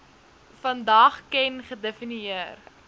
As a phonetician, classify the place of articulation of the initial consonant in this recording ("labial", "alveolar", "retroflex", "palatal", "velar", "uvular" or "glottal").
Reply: labial